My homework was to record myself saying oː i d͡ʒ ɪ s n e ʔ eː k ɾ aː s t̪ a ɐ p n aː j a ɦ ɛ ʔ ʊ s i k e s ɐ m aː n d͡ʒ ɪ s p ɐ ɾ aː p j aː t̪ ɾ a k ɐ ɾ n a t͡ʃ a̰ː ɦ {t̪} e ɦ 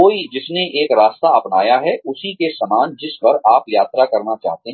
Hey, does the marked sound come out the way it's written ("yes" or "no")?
yes